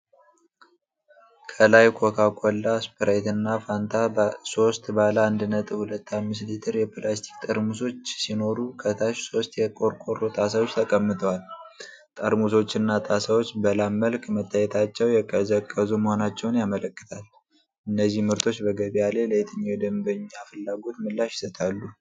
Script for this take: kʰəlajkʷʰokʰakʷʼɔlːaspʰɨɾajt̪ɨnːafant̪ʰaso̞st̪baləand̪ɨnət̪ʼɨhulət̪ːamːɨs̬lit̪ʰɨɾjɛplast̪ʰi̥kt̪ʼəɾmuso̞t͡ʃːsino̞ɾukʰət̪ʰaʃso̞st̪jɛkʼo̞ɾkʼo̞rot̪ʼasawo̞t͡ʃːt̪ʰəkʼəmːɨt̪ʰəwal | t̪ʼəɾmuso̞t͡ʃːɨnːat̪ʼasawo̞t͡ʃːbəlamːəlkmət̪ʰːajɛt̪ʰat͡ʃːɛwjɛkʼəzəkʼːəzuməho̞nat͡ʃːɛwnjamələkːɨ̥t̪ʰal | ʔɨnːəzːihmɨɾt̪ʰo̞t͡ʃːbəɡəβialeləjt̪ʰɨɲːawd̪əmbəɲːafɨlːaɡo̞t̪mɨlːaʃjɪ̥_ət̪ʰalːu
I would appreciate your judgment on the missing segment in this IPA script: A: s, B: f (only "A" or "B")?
A